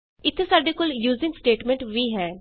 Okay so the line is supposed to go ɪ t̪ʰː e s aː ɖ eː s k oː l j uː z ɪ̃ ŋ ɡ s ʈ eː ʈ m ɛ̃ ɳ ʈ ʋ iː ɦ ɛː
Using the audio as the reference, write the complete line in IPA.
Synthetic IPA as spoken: ɪ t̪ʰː e s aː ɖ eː k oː l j uː z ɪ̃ ŋ ɡ s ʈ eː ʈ m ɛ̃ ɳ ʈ ʋ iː ɦ ɛː